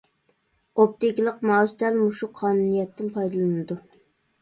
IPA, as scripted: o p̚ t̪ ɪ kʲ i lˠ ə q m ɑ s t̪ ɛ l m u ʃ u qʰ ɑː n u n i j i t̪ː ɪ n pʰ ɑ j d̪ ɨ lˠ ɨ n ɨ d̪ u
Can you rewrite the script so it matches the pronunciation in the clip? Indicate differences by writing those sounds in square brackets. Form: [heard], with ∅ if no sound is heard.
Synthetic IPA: o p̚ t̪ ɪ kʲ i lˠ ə q m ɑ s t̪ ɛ l m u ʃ u qʰ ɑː n u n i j [ɛ] t̪ː ɪ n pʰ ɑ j d̪ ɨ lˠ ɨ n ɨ d̪ u